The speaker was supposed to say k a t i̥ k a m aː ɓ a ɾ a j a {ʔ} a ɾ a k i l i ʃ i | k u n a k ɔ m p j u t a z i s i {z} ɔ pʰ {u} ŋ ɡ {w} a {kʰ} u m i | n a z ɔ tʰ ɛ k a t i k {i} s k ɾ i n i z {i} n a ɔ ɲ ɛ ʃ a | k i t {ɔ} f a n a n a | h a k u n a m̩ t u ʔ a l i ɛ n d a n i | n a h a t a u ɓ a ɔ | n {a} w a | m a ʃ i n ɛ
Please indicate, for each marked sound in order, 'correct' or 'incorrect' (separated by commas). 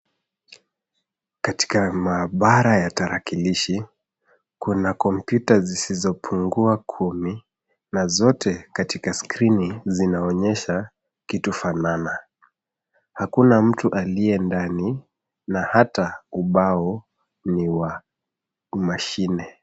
incorrect, correct, correct, incorrect, correct, incorrect, correct, incorrect, incorrect